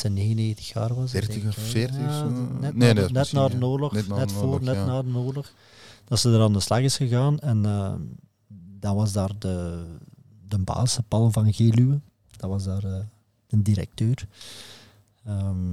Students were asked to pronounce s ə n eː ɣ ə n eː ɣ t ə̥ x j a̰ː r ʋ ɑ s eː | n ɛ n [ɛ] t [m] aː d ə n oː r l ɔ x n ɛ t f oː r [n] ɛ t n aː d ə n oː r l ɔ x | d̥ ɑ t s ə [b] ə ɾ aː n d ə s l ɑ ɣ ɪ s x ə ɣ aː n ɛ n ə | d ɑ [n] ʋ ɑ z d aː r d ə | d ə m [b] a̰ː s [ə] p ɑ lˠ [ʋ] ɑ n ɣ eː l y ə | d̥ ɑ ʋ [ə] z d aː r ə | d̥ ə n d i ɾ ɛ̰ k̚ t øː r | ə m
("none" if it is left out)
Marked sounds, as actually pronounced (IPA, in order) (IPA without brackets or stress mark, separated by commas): ɛ, n, n, d, n, b, ə, v, ɑ